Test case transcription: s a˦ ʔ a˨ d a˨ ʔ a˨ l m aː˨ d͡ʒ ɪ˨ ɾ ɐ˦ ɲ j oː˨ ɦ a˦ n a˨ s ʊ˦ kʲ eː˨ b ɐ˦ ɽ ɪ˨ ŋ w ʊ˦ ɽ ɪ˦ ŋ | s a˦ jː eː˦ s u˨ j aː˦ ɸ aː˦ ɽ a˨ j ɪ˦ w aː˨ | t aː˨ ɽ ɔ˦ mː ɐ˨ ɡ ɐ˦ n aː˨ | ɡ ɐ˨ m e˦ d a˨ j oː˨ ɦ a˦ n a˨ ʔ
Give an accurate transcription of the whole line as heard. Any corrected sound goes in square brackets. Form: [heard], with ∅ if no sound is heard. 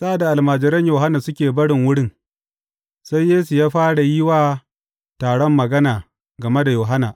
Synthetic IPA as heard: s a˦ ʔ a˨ d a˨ ʔ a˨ l m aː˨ d͡ʒ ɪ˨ ɾ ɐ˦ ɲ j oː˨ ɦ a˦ n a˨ s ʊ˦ kʲ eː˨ b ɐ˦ ɽ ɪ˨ ŋ w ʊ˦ ɽ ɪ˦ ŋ | s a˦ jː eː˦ s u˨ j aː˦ ɸ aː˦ ɽ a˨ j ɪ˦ w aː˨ | t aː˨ ɽ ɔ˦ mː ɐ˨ ɡ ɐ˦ n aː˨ | ɡ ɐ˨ m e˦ d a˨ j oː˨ ɦ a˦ n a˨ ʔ